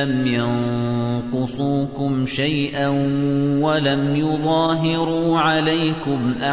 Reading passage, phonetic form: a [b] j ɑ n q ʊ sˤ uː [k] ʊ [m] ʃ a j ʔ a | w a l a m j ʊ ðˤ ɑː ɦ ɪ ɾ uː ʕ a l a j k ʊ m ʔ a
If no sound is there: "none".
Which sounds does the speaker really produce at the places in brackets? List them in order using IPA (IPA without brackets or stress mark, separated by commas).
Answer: m, k, m